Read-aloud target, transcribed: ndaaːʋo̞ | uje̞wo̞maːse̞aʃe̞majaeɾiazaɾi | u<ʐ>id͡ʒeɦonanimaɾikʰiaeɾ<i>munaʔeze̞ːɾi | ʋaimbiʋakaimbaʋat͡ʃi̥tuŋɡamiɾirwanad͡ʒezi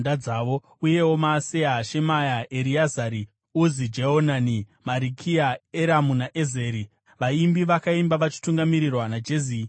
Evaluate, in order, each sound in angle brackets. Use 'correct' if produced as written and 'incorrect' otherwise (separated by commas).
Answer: incorrect, incorrect